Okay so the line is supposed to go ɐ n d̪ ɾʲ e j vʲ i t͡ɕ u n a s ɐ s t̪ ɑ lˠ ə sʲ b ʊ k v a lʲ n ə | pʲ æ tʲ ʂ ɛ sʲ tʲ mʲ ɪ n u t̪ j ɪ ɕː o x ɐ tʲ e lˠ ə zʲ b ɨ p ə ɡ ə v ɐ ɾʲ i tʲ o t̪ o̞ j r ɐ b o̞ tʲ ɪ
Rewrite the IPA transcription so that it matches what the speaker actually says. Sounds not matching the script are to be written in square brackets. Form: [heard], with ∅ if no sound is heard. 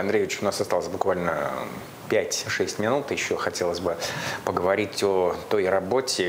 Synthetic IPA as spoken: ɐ n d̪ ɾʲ e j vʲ [ɪ] t͡ɕ [ʊ] n a s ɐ s t̪ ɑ lˠ ə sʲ b ʊ k v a lʲ n ə | pʲ æ tʲ ʂ ɛ sʲ tʲ mʲ ɪ n u t̪ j ɪ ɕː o x ɐ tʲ e lˠ ə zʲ b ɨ p ə ɡ ə v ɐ ɾʲ i tʲ o t̪ o̞ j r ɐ b o̞ tʲ ɪ